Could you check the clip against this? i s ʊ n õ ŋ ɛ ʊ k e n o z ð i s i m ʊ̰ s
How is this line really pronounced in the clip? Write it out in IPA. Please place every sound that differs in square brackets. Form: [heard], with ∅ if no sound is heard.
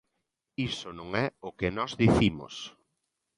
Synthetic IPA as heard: i s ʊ n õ ŋ ɛ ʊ k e n [ɔ] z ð i [θ] i m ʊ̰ s